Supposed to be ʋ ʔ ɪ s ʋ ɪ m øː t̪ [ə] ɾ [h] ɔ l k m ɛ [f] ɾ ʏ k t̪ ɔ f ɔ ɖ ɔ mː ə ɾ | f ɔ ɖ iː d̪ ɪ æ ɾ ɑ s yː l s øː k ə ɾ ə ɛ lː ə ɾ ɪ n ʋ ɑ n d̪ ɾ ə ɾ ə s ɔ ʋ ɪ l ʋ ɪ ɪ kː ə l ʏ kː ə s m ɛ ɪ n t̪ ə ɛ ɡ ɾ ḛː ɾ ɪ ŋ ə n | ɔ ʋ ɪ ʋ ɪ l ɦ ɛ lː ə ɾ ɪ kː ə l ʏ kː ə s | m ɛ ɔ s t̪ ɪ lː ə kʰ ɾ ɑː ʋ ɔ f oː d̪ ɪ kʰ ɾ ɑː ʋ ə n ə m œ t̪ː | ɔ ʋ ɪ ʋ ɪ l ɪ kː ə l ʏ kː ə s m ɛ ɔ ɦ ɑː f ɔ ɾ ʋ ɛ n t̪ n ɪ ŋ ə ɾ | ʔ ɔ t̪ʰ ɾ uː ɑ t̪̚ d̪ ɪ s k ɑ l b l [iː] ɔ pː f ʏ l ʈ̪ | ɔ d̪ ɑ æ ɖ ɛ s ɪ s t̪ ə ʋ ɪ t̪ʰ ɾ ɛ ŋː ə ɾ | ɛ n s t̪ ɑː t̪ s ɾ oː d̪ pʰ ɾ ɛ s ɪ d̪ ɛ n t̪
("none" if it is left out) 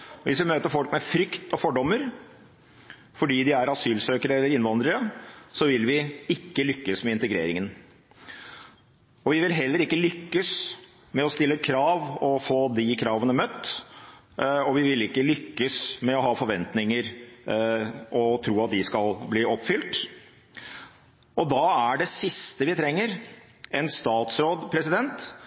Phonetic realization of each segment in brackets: ə, f, f, iː

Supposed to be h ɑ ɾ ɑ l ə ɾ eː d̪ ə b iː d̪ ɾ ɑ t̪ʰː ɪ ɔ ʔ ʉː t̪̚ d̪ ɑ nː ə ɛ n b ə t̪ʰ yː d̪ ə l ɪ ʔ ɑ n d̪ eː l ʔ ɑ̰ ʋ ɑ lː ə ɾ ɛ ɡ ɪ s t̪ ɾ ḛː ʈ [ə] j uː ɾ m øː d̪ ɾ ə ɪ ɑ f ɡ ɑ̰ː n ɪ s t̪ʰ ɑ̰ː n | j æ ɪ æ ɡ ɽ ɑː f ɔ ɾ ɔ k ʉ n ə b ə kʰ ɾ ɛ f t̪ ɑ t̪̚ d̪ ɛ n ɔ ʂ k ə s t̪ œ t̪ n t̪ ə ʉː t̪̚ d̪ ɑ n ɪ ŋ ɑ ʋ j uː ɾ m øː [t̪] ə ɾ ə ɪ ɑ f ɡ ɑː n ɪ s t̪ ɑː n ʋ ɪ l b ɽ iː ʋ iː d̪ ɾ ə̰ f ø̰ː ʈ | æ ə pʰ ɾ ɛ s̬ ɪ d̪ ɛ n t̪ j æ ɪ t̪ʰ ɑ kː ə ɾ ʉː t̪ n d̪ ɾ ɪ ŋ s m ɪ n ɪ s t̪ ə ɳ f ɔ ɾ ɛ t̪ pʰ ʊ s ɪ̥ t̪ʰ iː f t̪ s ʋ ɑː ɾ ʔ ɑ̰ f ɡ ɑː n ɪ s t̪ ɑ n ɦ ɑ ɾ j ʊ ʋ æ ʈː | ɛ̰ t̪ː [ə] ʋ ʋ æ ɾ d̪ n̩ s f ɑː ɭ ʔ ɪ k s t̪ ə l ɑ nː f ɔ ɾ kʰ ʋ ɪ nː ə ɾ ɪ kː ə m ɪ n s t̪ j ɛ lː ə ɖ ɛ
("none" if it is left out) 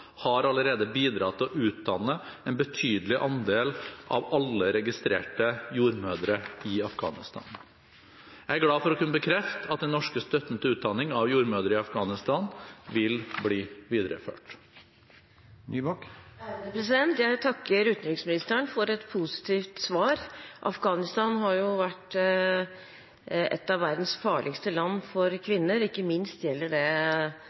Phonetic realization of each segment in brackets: ə, d̪, ɑ

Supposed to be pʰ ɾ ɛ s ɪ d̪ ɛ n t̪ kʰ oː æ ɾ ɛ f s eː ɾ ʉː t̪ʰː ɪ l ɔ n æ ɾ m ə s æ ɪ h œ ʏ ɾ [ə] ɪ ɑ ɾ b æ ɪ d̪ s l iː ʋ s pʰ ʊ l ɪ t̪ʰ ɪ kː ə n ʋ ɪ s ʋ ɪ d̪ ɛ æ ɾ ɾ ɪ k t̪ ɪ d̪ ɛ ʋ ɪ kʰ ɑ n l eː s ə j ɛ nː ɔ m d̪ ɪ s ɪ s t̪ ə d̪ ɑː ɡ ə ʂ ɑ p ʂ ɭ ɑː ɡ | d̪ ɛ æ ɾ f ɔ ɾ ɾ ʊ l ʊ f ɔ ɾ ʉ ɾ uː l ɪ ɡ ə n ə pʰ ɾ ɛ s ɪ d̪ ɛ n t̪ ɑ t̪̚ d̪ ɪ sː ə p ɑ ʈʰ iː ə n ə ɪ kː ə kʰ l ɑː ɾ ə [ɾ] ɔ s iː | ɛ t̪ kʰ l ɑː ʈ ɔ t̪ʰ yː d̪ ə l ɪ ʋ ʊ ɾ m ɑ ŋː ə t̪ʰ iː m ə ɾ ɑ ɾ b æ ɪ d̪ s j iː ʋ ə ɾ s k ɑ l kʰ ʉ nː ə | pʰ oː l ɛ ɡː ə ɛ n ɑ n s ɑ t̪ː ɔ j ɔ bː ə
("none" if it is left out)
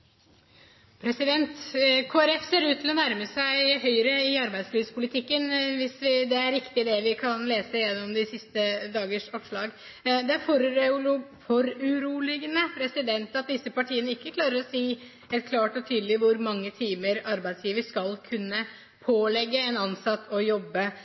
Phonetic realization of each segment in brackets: ə, ɾ

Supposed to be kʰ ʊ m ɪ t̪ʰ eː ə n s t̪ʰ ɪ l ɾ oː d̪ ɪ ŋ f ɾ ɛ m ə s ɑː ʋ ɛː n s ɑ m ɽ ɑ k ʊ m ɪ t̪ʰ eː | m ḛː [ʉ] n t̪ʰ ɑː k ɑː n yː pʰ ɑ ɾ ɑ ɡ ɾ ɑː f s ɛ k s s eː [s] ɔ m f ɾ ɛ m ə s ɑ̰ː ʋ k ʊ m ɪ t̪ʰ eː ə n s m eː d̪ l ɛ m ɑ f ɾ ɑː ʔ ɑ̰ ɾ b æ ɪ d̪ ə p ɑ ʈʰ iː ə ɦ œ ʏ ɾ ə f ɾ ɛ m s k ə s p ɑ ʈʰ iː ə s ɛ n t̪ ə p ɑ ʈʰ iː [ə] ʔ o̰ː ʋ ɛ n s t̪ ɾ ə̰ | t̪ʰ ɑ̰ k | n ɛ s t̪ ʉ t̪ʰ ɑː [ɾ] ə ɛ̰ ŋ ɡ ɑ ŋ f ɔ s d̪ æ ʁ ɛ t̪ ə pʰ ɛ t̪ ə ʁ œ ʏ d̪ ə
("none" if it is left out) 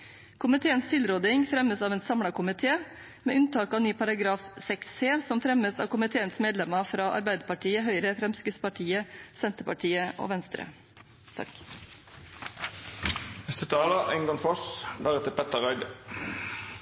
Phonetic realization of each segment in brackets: ʉ, s, ə, l

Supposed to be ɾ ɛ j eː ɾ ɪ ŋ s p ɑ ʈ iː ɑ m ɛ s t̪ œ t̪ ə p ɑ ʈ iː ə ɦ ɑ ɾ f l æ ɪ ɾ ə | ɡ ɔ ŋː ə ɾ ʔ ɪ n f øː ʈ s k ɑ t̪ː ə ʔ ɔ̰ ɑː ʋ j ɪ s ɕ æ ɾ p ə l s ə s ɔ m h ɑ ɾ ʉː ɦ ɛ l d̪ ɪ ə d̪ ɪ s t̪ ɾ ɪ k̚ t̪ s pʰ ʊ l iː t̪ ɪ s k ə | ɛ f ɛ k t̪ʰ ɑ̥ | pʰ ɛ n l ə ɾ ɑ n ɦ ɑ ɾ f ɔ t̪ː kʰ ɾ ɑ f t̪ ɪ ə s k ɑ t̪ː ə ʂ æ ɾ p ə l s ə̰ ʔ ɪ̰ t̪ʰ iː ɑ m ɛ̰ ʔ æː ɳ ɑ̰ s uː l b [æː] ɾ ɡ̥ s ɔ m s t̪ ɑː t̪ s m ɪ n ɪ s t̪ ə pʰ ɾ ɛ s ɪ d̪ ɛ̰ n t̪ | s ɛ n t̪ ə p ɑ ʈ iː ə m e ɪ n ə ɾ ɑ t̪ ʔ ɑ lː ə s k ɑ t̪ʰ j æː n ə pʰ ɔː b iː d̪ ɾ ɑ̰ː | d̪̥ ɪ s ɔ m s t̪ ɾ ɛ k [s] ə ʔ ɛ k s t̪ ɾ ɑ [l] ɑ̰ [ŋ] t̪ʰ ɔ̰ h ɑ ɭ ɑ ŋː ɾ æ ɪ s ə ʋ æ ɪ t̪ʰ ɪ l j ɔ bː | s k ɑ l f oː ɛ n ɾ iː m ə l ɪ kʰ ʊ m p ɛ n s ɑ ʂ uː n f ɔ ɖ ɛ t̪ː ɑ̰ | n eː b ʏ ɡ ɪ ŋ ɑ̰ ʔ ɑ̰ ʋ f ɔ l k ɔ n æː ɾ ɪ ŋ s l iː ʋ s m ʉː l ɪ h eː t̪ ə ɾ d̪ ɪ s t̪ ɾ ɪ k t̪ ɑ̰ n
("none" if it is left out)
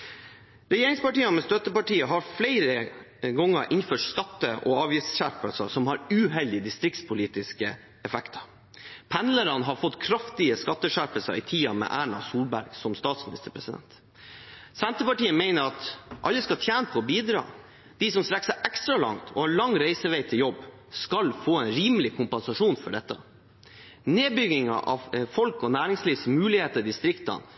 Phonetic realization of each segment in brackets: æ, s, l, ŋ

